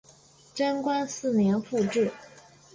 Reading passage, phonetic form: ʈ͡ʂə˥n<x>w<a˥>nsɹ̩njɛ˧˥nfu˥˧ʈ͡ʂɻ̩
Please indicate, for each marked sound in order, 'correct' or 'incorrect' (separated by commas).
incorrect, correct